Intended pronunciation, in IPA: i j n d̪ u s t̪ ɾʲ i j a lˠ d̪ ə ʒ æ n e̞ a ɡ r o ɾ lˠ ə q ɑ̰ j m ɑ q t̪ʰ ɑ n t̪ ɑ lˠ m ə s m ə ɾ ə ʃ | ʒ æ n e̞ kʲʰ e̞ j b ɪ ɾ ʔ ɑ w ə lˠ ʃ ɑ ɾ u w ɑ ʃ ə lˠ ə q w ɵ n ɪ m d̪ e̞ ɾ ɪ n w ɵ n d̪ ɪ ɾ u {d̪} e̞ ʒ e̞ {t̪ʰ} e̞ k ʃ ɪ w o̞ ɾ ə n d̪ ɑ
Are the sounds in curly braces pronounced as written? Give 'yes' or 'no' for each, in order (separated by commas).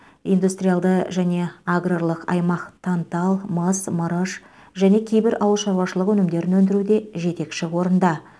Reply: yes, no